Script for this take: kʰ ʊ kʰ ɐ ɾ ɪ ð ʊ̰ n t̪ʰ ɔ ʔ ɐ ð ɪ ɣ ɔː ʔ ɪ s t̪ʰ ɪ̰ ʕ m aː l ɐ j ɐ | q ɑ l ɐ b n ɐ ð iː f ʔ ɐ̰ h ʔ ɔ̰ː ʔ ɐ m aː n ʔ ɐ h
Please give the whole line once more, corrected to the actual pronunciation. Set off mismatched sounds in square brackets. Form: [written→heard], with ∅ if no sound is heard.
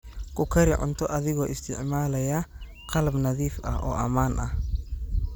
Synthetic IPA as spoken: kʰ ʊ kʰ ɐ ɾ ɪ [ð→ʕ] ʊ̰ n t̪ʰ ɔ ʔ ɐ ð ɪ ɣ ɔː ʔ ɪ s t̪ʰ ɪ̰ ʕ m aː l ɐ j ɐ | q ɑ l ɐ b n ɐ ð iː f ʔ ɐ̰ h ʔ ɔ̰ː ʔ ɐ m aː n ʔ ɐ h